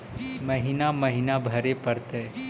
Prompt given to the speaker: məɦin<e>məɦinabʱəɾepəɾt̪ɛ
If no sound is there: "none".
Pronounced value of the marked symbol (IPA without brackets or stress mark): a